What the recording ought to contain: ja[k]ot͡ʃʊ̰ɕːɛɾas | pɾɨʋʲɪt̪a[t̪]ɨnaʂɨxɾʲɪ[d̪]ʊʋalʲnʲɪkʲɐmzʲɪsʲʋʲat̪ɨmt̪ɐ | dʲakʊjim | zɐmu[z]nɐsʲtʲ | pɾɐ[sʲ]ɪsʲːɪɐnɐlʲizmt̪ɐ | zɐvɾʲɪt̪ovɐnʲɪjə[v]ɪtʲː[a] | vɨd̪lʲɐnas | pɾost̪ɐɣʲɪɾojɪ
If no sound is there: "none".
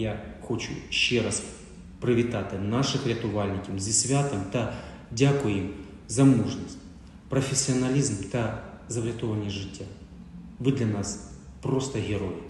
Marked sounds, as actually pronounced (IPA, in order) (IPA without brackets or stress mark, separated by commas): x, t̪, t̪, ʐ, fʲ, ʐ, a